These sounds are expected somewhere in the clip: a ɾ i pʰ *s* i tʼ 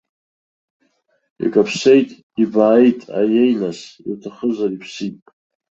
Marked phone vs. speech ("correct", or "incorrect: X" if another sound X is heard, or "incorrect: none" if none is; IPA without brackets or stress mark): correct